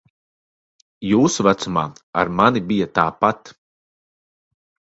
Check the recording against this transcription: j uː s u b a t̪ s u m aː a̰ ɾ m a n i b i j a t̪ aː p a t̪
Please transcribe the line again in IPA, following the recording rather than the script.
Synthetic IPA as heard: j uː s u v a t̪ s u m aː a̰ ɾ m a n i b i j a t̪ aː p a t̪

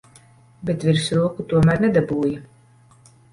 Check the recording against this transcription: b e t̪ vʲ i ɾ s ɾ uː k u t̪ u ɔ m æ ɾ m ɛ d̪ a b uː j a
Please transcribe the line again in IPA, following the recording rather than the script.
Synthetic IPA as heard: b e t̪ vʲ i ɾ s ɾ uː k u t̪ u ɔ m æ ɾ n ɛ d̪ a b uː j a

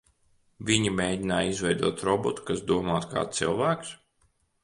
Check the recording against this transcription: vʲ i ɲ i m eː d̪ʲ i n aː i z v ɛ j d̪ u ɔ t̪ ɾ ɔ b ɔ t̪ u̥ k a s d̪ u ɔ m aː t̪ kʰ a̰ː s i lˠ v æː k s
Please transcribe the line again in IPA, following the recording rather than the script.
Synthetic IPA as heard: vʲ i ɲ i m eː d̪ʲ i n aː i z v ɛ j d̪ u ɔ t̪ ɾ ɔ b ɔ t̪ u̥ k a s d̪ u ɔ m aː t̪ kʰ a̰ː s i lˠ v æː k s

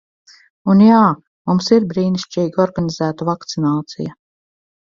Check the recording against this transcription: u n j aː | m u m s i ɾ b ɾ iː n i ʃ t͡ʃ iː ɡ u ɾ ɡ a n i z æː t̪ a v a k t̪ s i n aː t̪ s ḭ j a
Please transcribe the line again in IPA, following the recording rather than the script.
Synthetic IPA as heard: u n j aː | m u m s i ɾ b ɾ iː n i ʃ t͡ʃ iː ɡ ɔ ɾ ɡ a n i z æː t̪ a v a k t̪ s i n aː t̪ s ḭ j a

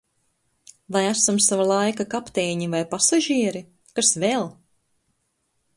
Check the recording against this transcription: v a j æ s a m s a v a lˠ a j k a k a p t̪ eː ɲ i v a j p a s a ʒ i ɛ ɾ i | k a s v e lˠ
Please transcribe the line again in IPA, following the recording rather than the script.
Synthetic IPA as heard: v a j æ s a m s a v a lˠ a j k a k a p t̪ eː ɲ i v a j p a s a ʒ i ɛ ɾ i | k a s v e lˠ

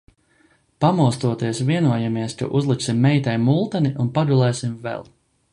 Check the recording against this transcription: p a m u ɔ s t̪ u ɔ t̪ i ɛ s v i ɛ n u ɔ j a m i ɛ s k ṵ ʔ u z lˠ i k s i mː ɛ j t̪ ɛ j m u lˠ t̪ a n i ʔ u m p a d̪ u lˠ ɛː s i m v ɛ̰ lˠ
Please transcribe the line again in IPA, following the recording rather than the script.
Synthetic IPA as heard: p a m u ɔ s t̪ u ɔ t̪ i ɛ s v i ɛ n u ɔ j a m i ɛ s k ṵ ʔ u z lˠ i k s i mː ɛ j t̪ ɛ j m u lˠ t̪ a n i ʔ u n p a d̪ u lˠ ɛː s i m v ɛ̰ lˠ

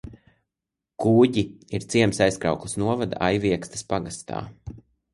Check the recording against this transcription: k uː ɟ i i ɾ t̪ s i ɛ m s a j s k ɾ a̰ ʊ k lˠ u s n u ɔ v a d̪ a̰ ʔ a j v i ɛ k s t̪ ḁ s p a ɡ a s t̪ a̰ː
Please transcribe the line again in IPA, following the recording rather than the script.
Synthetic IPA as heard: k uː ɟ i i ɾ t̪ s i ɛ m s a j s k ɾ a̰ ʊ k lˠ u s n u ɔ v a d̪ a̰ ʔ a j v i ɛ k s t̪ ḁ s p a ɡ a s t̪ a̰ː

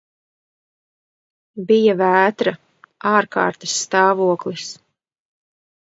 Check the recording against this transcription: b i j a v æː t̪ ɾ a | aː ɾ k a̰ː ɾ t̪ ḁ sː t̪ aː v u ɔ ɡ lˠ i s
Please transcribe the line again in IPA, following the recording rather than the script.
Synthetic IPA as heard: b i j a v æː t̪ ɾ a | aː ɾ k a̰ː ɾ t̪ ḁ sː t̪ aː v u ɔ k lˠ i s

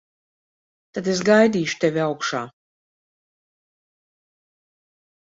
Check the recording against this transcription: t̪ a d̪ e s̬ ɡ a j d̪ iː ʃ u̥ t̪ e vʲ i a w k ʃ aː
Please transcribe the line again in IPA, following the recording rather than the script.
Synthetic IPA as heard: t̪ a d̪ e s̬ ɡ a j d̪ iː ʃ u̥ t̪ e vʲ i a w k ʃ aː

